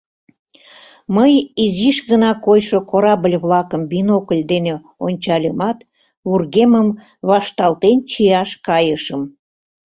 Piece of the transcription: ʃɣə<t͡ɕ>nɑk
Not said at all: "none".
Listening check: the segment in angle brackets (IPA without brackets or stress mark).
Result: none